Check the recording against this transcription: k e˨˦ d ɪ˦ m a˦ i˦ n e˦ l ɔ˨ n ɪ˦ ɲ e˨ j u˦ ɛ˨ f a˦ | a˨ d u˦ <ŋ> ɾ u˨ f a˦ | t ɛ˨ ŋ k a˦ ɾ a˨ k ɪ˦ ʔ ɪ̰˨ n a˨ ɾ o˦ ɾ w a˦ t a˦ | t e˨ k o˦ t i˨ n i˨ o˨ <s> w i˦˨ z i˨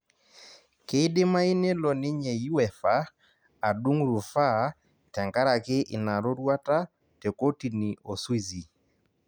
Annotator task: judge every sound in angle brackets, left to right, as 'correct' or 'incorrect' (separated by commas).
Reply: correct, correct